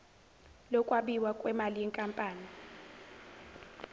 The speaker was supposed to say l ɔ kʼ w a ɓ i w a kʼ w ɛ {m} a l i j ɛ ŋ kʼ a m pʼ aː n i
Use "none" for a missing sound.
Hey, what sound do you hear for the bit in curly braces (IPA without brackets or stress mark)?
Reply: m